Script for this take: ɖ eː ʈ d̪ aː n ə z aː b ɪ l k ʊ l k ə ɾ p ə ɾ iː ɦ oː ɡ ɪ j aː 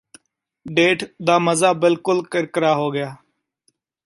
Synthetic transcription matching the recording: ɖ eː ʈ d̪ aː m ə z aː b ɪ l k ʊ l k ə ɾ k ə ɾ aː ɦ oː ɡ ɪ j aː

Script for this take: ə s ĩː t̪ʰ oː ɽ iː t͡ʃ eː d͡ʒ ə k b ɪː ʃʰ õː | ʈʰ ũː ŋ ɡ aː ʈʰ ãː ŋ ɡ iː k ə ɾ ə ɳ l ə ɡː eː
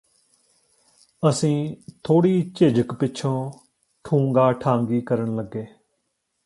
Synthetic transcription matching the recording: ə s ĩː t̪ʰ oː ɽ iː t͡ʃ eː d͡ʒ ə k p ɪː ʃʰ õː | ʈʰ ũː ŋ ɡ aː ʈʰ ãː ŋ ɡ iː k ə ɾ ə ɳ l ə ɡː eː

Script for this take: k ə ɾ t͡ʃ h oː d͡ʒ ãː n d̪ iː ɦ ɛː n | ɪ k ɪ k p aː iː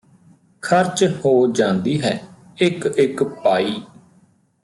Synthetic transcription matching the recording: kʰ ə ɾ t͡ʃ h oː d͡ʒ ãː n d̪ iː ɦ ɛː | ɪ k ɪ k p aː iː

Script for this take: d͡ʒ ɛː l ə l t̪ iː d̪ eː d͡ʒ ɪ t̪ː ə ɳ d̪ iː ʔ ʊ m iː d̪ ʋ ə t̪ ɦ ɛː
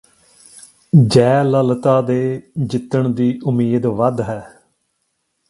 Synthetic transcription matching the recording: d͡ʒ ɛː l ə l t̪ aː d̪ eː d͡ʒ ɪ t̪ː ə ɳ d̪ iː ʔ ʊ m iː d̪ ʋ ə d̪ ɦ ɛː

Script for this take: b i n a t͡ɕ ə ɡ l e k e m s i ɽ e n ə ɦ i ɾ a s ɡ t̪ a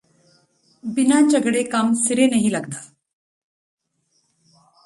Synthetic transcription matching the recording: b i n a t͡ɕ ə ɡ ɽ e k a m s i ɾ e n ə ɦ i l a ɡ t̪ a

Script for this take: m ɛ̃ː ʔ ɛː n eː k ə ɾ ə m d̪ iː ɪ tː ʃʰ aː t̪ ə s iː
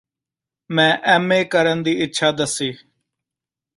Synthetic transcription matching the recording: m ɛ̃ː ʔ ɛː m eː k ə ɾ ə n d̪ iː ɪ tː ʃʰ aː d̪ ə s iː

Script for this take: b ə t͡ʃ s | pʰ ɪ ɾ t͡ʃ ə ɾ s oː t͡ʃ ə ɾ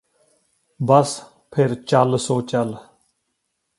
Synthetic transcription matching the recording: b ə s | pʰ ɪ ɾ t͡ʃ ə l s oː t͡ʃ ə l

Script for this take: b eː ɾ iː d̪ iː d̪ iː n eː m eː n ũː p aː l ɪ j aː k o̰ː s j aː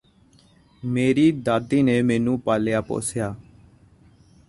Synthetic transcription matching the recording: m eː ɾ iː d̪ aː d̪ iː n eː m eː n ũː p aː l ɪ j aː p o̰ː s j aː

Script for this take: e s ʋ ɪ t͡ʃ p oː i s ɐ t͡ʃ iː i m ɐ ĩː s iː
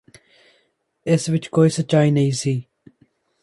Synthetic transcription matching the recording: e s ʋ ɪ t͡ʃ k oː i s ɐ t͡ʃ aː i n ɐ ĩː s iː

